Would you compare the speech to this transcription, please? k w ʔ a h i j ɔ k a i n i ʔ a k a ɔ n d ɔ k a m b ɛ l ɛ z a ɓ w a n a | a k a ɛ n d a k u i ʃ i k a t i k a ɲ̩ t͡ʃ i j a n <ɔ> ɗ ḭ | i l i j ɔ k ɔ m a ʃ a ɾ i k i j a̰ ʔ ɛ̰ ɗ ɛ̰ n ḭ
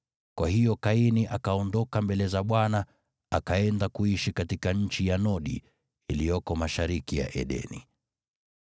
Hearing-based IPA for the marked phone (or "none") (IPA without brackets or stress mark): ɔ